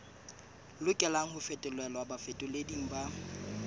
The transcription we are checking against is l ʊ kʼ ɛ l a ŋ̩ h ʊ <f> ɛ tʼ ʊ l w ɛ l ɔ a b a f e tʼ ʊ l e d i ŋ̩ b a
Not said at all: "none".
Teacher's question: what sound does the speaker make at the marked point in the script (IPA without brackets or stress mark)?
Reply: f